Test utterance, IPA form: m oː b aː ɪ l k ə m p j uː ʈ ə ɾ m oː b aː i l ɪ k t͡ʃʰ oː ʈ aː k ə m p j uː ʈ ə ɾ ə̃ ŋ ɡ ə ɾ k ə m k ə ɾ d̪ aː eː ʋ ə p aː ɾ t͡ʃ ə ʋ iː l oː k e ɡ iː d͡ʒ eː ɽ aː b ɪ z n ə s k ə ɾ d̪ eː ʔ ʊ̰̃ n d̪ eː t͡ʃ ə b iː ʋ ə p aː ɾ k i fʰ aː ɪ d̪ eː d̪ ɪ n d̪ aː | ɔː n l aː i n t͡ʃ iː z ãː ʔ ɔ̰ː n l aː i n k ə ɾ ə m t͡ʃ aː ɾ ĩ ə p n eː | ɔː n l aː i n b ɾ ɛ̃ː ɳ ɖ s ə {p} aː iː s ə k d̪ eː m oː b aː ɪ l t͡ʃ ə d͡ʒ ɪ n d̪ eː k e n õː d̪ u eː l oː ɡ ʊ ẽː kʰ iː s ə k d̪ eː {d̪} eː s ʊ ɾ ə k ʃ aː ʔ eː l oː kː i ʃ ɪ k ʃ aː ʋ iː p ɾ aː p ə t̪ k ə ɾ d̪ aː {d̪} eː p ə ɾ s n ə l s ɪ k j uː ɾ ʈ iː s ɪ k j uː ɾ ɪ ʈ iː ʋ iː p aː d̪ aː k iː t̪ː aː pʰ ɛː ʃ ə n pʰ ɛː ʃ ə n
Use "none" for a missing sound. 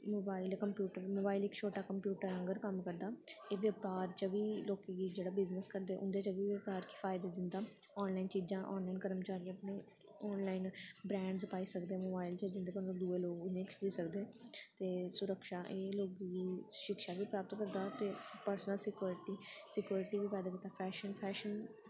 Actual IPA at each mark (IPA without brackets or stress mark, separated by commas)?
p, t̪, t̪